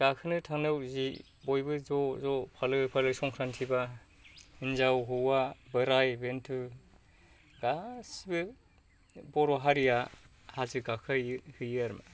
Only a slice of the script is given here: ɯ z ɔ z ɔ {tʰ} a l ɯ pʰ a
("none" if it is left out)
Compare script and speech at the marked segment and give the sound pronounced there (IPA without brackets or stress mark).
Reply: pʰ